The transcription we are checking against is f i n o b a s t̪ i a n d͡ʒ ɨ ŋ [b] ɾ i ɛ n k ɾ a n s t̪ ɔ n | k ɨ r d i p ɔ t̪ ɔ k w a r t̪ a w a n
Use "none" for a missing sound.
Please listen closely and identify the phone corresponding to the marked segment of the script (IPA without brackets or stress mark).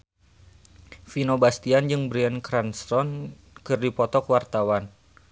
b